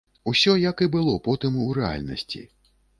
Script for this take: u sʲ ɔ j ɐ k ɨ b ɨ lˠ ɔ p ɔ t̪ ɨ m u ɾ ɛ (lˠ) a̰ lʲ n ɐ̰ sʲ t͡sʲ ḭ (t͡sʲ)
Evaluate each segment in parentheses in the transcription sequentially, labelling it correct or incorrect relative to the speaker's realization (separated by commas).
incorrect, incorrect